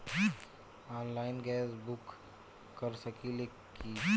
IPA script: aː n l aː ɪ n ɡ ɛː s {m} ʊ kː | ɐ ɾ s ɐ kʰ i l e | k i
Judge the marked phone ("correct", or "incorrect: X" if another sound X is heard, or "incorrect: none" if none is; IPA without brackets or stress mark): incorrect: b